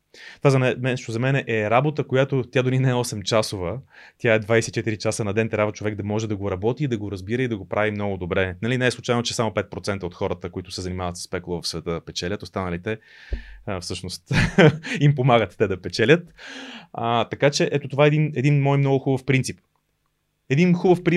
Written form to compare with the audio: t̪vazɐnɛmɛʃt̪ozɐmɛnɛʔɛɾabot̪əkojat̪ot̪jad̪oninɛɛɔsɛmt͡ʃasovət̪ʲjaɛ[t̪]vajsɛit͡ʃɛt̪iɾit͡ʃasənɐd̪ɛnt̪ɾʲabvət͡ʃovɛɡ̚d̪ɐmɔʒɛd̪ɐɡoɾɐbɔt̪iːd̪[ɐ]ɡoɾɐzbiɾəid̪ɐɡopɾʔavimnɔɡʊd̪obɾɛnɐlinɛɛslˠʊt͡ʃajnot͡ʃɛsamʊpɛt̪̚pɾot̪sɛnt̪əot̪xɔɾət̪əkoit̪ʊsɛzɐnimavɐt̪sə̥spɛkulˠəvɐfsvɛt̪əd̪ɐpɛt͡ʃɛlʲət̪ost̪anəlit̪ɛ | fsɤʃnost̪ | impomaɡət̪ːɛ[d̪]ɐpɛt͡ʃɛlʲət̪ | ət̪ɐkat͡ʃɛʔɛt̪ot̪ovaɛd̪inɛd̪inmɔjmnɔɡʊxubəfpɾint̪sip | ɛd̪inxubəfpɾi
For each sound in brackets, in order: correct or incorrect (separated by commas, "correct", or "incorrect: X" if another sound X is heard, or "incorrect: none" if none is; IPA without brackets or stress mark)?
incorrect: d̪, correct, correct